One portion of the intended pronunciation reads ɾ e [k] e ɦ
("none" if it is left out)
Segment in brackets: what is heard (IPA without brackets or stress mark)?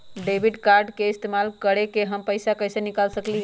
k